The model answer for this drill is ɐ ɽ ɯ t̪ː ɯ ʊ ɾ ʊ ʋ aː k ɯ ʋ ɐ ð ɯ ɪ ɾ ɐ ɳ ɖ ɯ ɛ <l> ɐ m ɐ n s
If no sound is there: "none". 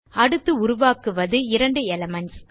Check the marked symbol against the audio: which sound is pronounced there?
l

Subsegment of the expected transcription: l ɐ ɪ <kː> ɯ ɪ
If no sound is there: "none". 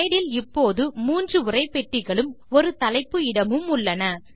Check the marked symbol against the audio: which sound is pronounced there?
pː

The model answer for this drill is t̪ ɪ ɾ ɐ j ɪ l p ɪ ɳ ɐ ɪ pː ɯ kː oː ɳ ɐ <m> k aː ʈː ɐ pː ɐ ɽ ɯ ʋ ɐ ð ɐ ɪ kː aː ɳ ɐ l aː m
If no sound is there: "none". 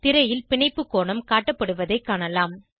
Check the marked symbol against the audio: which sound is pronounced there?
m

